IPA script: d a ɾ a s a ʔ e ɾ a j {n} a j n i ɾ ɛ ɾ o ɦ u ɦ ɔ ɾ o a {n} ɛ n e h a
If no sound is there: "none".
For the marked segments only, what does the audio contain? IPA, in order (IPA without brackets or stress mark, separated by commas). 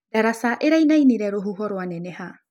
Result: n, n